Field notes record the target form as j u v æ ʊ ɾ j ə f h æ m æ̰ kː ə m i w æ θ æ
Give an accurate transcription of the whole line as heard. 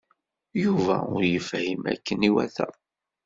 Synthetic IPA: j u v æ ʊ ɾ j ə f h i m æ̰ kː ə n i w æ θ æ